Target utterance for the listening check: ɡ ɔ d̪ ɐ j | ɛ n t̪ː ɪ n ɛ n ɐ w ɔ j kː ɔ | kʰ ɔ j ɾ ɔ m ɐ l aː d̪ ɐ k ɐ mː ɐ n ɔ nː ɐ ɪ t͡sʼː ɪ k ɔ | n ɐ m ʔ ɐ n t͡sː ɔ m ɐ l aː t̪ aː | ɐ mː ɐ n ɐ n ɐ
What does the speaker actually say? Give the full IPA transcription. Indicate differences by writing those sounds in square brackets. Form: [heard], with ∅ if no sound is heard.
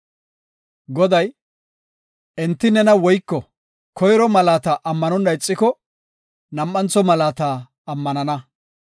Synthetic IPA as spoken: ɡ ɔ d̪ ɐ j | ɛ n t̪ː ɪ n ɛ n ɐ w ɔ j kː ɔ | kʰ ɔ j ɾ ɔ m ɐ l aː [t̪] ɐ [ʔ] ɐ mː ɐ n ɔ nː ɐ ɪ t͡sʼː ɪ k ɔ | n ɐ m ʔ ɐ n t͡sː ɔ m ɐ l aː t̪ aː | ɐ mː ɐ n ɐ n ɐ